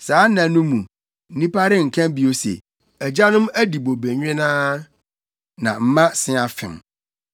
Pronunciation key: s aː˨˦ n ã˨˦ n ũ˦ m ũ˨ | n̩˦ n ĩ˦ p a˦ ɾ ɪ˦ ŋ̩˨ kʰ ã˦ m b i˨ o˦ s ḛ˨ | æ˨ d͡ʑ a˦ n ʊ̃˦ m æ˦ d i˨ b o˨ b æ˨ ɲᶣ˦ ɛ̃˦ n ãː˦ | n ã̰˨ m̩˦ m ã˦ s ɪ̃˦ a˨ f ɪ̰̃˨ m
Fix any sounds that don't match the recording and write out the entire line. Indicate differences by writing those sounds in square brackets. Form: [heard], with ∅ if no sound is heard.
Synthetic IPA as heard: s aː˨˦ n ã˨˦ n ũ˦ m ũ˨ | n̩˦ n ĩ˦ p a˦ ɾ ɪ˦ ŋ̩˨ kʰ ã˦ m b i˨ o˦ s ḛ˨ | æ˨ d͡ʑ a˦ n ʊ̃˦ m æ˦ d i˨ b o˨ b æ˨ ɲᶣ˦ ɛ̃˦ n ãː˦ | n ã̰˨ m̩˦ m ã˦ s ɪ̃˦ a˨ f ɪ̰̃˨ m